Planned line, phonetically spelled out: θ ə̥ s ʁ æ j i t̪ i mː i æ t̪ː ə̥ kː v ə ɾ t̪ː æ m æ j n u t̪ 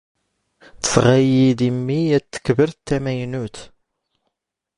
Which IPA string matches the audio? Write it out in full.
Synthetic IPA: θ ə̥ s ʁ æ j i d̪ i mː i æ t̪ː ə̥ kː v ə ɾ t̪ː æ m æ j n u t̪